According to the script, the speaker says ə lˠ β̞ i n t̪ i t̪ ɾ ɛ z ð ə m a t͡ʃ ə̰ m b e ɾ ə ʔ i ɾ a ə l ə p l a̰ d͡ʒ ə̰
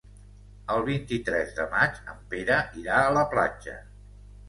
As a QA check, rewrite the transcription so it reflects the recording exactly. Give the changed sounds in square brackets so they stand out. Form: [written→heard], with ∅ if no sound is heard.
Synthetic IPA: ə lˠ β̞ i n t̪ i t̪ ɾ ɛ z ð ə m a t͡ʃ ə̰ m [b→p] e ɾ ə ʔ i ɾ a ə l ə p l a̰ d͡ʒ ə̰